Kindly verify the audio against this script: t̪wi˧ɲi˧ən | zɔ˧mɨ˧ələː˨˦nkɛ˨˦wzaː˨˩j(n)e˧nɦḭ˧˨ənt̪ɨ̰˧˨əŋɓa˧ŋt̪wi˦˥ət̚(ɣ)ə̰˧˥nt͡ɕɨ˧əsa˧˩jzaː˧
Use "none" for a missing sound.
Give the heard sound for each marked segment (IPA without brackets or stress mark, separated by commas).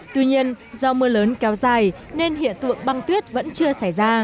n, v